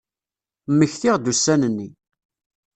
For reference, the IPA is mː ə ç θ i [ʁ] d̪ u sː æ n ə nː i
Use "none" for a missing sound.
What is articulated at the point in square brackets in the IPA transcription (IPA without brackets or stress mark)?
ʁ